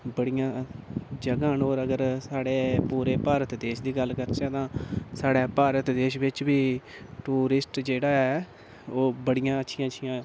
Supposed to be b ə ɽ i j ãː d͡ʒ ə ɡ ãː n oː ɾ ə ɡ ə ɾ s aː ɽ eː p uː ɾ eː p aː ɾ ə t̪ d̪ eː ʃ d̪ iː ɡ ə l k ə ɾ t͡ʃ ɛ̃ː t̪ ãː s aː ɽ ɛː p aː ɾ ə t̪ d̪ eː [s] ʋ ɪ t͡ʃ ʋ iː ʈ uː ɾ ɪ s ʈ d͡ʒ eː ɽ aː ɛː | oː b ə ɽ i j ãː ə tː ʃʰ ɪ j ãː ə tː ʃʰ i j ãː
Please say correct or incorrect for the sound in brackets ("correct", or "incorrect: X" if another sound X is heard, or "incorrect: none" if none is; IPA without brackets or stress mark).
incorrect: ʃ